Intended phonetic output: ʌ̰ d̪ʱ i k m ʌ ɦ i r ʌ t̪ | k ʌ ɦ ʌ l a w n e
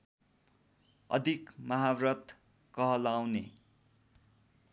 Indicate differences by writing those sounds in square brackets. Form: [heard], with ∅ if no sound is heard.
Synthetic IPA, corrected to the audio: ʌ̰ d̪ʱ i k m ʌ ɦ [a] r ʌ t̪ | k ʌ ɦ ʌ l a w n e